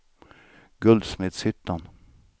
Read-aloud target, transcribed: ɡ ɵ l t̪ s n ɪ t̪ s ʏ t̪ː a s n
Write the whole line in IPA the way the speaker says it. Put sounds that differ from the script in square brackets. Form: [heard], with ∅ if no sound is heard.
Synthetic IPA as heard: ɡ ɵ l [d̪] s [m] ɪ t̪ s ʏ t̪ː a [∅] n